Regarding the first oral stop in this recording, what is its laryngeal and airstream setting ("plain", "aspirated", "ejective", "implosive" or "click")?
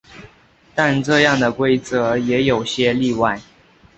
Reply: plain